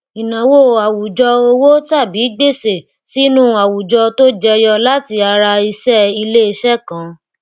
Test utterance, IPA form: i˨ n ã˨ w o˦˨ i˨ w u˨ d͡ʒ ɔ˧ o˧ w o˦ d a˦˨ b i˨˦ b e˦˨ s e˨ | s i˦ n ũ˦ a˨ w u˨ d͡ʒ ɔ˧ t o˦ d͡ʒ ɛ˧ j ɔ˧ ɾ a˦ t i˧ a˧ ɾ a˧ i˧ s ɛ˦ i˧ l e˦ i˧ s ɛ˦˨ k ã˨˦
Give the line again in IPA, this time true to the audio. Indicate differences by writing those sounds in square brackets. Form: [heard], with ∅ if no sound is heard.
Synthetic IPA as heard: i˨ n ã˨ w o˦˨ [a˨] w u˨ d͡ʒ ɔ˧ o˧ w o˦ [t] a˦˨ b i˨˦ [ɡ͡b] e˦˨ s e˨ | s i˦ n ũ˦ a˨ w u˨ d͡ʒ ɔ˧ t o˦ d͡ʒ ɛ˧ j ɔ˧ [l] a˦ t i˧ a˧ ɾ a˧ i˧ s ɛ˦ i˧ l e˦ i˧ [ʃ] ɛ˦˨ k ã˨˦